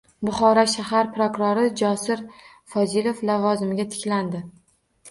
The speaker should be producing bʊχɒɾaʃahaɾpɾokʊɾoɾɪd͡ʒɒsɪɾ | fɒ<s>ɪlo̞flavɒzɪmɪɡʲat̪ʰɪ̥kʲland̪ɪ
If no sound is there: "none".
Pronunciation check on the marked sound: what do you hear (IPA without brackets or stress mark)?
z